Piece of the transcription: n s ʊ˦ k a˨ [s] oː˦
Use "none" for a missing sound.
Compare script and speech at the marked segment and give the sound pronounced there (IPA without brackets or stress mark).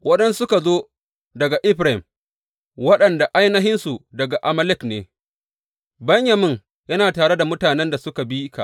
z